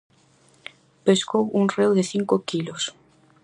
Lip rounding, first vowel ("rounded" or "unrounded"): unrounded